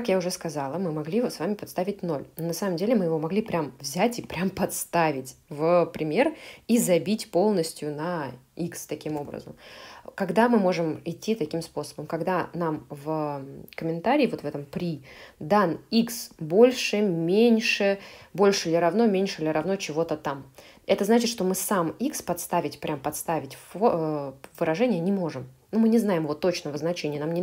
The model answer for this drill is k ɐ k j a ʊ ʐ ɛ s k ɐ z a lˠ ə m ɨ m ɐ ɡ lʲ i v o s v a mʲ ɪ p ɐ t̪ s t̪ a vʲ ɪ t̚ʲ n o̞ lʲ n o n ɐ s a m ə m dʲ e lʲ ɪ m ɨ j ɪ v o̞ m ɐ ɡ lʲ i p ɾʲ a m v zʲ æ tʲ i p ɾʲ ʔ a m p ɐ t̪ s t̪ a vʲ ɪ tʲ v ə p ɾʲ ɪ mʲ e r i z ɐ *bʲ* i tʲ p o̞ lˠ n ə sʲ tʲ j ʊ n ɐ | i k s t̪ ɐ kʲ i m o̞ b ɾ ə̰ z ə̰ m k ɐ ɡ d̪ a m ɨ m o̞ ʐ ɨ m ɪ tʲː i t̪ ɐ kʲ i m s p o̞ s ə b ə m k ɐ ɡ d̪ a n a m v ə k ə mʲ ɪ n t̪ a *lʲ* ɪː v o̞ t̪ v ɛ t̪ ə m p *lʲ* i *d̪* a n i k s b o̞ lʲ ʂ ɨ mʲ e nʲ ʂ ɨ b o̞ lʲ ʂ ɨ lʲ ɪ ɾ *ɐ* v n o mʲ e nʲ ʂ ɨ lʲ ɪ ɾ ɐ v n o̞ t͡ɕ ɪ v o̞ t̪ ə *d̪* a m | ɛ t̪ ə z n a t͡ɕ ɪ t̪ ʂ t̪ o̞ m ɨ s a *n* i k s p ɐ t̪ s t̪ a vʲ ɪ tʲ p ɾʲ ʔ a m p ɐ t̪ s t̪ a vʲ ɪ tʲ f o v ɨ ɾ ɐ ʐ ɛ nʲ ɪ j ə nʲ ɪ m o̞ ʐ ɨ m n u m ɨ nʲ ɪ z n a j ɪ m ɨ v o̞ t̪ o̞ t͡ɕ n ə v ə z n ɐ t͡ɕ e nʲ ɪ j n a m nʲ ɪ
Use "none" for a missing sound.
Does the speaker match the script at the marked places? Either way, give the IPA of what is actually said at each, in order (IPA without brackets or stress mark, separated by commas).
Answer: bʲ, ɾʲ, ɾʲ, d̪, ɐ, t̪, m